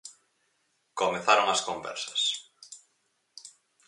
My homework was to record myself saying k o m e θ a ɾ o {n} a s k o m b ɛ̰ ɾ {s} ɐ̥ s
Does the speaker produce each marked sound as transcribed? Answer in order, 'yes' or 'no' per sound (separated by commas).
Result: no, yes